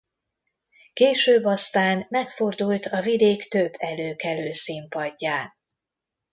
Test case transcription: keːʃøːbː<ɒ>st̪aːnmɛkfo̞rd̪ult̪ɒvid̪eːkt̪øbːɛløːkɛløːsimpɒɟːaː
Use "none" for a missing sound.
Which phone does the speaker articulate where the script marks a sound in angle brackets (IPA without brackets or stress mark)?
ɒ